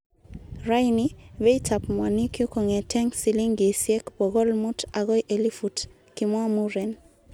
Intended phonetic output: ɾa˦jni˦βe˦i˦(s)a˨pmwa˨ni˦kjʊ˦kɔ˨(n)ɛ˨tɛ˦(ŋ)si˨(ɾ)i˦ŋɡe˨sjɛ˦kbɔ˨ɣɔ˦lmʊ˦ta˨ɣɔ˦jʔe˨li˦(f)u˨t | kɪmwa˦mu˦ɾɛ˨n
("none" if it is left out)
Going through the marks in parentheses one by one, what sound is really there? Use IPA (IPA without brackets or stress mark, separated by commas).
t, ŋ, ŋ, l, f